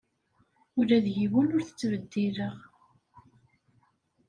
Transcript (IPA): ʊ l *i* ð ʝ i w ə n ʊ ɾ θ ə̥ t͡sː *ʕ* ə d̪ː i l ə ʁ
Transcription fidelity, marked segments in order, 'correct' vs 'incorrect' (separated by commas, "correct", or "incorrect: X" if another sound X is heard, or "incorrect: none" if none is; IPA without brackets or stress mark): incorrect: æ, incorrect: v